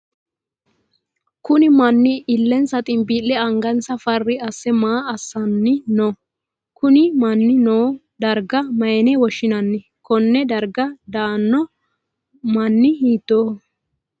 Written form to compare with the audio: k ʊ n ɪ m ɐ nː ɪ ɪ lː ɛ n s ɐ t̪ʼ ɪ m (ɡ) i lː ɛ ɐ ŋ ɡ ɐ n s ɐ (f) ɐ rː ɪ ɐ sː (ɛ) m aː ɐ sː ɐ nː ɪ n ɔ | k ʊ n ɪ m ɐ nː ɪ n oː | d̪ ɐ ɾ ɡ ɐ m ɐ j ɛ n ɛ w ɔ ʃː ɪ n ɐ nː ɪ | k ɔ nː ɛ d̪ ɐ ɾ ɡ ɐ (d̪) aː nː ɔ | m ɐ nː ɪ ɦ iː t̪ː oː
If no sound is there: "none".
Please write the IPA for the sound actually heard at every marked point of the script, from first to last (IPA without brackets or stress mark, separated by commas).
b, f, ɛ, d̪